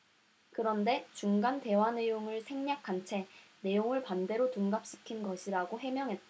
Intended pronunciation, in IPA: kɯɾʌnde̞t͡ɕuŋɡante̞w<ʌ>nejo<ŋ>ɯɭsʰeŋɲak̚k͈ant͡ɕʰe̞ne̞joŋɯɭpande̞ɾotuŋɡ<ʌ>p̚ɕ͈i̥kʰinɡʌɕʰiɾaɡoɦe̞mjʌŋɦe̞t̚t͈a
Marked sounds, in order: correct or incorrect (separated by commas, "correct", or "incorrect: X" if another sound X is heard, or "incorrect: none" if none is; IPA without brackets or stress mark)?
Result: incorrect: a, correct, incorrect: a